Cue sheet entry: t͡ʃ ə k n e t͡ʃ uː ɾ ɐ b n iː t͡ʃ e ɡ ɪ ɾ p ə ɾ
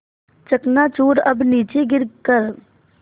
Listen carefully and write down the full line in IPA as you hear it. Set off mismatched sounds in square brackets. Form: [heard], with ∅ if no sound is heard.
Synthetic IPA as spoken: t͡ʃ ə k n [a] t͡ʃ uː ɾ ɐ b n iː t͡ʃ e ɡ ɪ ɾ [k] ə ɾ